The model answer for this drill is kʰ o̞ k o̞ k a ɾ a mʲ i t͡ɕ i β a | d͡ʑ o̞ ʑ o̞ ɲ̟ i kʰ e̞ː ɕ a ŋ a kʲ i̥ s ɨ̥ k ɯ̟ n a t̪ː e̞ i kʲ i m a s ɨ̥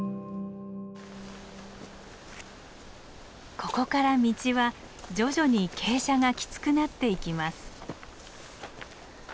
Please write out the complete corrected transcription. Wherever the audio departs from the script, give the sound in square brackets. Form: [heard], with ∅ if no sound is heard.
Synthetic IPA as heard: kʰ o̞ k o̞ k a ɾ a mʲ i t͡ɕ i β a | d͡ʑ o̞ ʑ o̞ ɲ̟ i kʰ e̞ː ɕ a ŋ a kʲ i̥ [t͡s] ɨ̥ k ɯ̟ n a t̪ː e̞ i kʲ i m a s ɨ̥